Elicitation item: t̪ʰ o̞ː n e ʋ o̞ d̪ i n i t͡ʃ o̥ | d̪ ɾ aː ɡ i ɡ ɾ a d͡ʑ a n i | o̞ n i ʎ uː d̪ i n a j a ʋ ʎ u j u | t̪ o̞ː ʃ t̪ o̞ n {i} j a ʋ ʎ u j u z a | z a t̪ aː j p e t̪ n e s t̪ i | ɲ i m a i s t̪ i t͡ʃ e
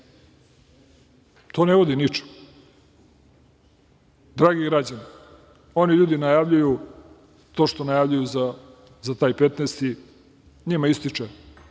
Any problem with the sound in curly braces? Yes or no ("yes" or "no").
yes